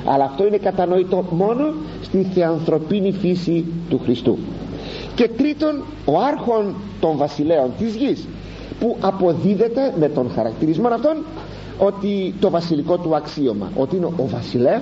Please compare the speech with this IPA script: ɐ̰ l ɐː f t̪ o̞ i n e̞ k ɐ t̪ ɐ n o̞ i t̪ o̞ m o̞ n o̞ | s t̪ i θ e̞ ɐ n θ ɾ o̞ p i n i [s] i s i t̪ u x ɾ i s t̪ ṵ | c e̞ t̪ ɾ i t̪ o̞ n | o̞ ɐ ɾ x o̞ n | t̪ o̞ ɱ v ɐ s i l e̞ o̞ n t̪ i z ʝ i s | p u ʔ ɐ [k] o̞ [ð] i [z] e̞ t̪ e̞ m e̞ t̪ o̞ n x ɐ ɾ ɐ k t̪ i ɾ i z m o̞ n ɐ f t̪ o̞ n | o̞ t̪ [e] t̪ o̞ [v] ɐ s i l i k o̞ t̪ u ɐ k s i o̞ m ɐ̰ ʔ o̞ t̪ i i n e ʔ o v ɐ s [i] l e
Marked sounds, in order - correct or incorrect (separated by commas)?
incorrect, incorrect, correct, incorrect, incorrect, correct, correct